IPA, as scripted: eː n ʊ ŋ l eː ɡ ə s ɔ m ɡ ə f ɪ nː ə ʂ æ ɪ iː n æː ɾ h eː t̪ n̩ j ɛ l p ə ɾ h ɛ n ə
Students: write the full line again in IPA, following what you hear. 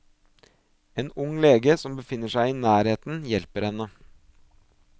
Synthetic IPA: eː n ʊ ŋ l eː ɡ ə s ɔ m b ə f ɪ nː ə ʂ æ ɪ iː n æː ɾ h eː t̪ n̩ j ɛ l p ə ɾ h ɛ n ə